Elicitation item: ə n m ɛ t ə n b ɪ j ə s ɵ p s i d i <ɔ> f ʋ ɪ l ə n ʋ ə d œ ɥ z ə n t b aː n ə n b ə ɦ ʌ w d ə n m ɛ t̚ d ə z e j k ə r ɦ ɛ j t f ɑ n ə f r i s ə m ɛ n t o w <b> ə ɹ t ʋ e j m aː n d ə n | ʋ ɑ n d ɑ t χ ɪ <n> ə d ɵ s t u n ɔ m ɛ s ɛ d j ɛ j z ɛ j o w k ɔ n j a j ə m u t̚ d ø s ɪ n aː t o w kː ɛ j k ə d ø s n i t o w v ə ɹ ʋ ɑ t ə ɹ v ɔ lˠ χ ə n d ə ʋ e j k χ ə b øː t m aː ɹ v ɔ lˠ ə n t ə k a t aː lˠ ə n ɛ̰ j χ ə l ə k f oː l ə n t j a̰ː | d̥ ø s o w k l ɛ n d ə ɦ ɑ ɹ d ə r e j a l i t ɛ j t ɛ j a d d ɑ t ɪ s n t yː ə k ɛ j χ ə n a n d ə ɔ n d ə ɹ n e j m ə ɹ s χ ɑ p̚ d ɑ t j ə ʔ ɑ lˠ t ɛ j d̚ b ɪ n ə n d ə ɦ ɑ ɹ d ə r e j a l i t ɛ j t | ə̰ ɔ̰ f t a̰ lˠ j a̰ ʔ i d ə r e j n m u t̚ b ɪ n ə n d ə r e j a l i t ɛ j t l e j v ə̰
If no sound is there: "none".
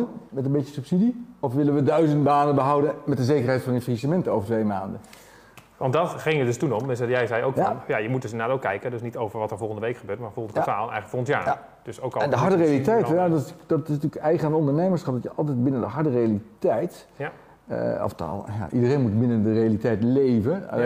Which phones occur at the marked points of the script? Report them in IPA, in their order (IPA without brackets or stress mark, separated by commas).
ɔ, v, ŋ